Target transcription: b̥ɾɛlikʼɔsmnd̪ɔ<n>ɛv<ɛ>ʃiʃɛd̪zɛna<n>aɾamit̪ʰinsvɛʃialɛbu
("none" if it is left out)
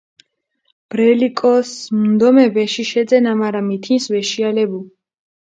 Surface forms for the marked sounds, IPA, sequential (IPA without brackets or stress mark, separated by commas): m, ɛ, m